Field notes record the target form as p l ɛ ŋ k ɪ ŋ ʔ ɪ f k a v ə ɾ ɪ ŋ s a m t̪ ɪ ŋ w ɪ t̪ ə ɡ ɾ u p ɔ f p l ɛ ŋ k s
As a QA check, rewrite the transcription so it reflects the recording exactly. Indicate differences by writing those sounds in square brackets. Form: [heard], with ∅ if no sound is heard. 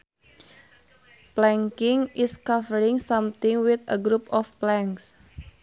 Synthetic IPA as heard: p l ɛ ŋ k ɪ ŋ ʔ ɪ [s] k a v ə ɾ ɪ ŋ s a m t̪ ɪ ŋ w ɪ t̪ ə ɡ ɾ u p ɔ f p l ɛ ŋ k s